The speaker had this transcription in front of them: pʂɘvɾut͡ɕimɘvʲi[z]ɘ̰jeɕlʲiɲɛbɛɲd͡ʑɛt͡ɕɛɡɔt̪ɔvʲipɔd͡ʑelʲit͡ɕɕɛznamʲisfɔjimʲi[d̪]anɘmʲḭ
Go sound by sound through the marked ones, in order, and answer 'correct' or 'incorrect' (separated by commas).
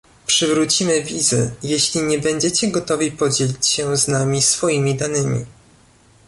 correct, correct